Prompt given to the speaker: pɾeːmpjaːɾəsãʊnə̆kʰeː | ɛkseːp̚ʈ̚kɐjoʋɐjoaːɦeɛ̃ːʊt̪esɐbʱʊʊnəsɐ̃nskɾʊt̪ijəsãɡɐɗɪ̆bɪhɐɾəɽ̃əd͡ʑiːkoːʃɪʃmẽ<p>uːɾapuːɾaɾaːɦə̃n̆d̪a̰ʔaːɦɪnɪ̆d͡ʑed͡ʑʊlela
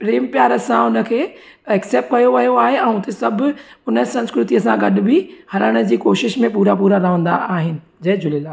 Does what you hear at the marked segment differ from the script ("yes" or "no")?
no